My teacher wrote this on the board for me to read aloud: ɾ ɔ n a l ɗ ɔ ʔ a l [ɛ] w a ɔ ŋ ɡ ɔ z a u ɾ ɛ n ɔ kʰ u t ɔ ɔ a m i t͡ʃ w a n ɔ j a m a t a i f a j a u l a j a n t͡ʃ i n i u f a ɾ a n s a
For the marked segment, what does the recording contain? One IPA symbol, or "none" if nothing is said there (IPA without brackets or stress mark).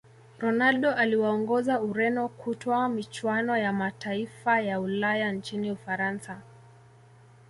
i